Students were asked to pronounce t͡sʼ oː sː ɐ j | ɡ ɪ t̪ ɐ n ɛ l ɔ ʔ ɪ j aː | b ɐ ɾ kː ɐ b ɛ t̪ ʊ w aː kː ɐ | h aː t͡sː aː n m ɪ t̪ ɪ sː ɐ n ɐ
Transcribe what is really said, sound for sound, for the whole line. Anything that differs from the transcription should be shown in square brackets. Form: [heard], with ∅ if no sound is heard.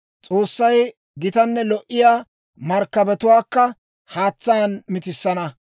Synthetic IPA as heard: t͡sʼ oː sː ɐ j | ɡ ɪ t̪ ɐ [nː] ɛ l ɔ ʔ ɪ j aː | [m] ɐ ɾ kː ɐ b ɛ t̪ ʊ w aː kː ɐ | h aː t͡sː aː n m ɪ t̪ ɪ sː ɐ n ɐ